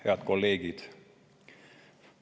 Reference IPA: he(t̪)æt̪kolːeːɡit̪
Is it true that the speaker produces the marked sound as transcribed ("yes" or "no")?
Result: no